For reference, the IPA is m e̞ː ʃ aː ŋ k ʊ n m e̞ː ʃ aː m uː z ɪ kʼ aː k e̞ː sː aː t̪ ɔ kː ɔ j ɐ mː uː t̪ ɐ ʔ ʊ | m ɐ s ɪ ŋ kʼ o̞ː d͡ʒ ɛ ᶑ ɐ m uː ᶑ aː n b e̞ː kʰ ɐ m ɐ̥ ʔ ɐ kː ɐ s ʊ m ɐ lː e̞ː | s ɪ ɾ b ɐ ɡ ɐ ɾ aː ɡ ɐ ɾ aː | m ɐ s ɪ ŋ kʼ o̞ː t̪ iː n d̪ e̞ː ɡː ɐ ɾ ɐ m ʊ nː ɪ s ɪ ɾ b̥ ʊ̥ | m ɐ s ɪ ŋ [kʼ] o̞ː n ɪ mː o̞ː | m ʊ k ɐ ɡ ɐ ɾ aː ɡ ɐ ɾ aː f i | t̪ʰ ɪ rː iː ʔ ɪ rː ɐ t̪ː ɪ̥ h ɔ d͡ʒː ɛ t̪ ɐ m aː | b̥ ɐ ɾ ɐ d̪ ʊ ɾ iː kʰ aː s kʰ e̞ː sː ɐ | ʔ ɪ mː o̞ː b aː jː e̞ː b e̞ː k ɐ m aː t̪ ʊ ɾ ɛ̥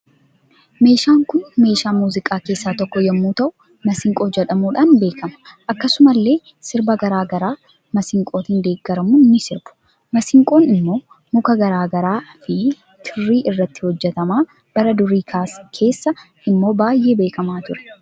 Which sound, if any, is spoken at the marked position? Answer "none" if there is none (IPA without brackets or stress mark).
kʼ